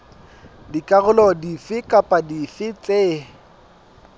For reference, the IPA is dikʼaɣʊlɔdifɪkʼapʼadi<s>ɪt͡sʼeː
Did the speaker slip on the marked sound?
yes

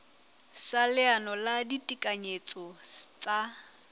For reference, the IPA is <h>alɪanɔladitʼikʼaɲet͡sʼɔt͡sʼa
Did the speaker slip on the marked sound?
yes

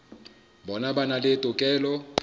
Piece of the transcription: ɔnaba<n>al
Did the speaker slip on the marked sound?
no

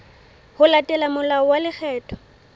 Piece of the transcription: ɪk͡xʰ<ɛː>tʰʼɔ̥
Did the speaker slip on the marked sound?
no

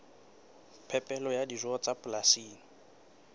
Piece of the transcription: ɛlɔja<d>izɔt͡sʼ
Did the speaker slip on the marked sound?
no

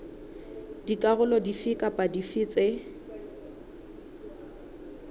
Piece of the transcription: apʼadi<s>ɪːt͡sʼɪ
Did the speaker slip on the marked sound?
yes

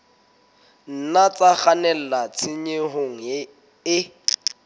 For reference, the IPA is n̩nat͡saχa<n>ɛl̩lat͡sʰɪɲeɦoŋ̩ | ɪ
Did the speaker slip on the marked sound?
no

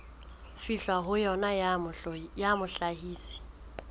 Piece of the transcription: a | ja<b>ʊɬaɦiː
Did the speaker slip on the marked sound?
yes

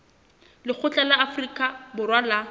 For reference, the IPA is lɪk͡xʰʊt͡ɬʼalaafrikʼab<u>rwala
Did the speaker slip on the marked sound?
yes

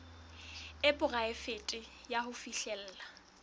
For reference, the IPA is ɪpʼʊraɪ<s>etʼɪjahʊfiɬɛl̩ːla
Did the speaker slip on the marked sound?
yes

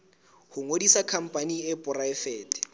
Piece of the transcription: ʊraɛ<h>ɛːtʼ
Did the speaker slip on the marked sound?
yes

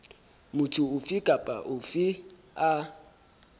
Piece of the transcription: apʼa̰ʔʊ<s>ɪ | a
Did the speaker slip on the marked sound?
yes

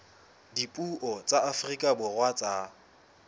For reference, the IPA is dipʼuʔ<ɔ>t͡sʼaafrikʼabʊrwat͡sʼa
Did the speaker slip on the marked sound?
no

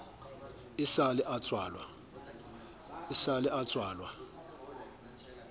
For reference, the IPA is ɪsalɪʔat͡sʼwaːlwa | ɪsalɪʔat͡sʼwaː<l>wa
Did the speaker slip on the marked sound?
no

